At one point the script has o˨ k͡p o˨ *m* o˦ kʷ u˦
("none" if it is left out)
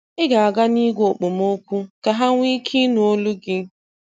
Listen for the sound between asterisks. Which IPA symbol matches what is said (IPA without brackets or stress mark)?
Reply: m